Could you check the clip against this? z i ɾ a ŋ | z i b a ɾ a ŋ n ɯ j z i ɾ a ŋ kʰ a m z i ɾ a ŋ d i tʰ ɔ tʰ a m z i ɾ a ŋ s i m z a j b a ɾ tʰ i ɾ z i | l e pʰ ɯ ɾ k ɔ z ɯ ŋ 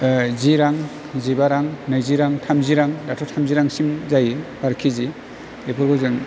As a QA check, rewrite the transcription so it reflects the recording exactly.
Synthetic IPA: z i ɾ a ŋ | z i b a ɾ a ŋ n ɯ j z i ɾ a ŋ tʰ a m z i ɾ a ŋ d a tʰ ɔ tʰ a m z i ɾ a ŋ s i m z a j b a ɾ kʰ i z i | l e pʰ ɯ ɾ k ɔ z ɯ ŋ